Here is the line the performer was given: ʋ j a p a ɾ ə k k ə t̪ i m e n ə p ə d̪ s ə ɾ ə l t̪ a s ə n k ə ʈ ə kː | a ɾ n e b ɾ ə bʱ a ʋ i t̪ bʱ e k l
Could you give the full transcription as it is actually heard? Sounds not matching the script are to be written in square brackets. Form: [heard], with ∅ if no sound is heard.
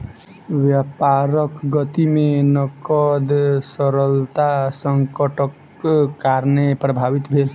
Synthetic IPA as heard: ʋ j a p a ɾ ə k [ɡ] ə t̪ i m e n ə [k] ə d̪ s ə ɾ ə l t̪ a s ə [ŋ] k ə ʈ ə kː | a ɾ n e [p] ɾ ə bʱ a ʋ i t̪ bʱ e [∅] l